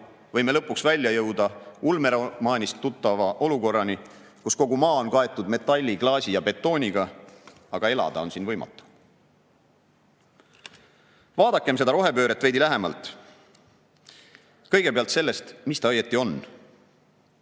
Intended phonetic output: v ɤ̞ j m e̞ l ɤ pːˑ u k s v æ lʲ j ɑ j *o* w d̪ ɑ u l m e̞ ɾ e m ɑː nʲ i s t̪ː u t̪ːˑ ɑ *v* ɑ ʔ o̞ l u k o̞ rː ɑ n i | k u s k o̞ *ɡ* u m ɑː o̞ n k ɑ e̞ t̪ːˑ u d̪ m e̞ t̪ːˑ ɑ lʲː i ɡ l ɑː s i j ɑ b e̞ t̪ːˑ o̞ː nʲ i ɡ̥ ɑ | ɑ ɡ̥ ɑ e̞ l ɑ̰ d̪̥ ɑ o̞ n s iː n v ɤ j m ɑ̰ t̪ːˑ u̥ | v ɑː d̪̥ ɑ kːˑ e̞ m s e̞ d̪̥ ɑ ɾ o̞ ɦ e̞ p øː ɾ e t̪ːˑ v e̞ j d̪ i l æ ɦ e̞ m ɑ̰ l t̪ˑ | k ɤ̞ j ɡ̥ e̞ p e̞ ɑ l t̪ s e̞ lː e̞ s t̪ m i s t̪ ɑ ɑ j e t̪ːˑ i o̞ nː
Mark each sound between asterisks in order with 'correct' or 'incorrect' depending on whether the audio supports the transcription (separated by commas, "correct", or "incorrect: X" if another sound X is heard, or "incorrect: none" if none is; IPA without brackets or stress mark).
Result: incorrect: ɤ, correct, correct